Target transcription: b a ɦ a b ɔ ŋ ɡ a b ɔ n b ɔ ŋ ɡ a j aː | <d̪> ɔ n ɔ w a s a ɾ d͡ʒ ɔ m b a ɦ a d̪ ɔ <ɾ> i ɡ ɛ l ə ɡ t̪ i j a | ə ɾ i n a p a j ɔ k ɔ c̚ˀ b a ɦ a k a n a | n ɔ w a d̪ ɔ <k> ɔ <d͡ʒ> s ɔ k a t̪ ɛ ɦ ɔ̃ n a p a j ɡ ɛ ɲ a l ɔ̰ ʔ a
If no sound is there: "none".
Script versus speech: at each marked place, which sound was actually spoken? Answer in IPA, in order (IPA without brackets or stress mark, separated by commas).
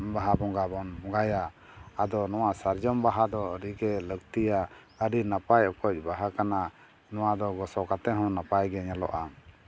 d̪, ɾ, ɡ, none